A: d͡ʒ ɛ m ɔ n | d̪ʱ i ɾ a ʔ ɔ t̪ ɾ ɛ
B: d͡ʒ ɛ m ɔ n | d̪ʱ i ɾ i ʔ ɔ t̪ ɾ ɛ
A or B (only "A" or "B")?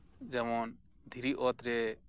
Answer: B